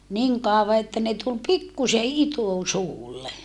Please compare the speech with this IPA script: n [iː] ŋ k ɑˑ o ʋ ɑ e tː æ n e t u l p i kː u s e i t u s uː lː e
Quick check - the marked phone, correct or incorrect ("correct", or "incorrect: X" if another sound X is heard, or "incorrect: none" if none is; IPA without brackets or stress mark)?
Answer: incorrect: i